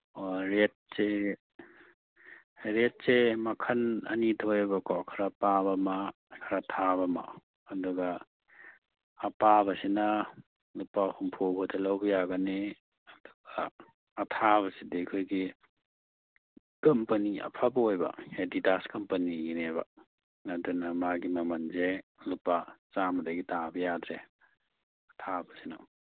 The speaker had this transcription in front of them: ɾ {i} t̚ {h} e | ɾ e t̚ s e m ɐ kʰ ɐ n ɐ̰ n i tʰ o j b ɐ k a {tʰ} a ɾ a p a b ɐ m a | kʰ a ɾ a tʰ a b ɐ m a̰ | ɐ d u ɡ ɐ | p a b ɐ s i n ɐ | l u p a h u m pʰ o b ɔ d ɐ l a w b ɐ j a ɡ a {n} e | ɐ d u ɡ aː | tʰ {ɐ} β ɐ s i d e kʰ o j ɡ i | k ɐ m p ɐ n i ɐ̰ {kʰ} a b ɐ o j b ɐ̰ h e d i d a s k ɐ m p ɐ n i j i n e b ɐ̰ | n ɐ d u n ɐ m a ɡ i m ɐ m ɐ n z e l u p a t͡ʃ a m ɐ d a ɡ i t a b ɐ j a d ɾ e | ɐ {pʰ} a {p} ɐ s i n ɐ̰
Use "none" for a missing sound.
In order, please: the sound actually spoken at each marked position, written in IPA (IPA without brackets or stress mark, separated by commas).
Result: e, s, kʰ, n, a, pʰ, tʰ, b